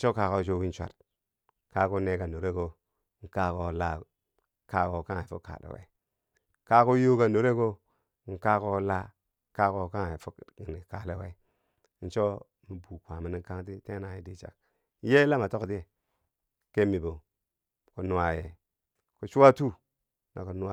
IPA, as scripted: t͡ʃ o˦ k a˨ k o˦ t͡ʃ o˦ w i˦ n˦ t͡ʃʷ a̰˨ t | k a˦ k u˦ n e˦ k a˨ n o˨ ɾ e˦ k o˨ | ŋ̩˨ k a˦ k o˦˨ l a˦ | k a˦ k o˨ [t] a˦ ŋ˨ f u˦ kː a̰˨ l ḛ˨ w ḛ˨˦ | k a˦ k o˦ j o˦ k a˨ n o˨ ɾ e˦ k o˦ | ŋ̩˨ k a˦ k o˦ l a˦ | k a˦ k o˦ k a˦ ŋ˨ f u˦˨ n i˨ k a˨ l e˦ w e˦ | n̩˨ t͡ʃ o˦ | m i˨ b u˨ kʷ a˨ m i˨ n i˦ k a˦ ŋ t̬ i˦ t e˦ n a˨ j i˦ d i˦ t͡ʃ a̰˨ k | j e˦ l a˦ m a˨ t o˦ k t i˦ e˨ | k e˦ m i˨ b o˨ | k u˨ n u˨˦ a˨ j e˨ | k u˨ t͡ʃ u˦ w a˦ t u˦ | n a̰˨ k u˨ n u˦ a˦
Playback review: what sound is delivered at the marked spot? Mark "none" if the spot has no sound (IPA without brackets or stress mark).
k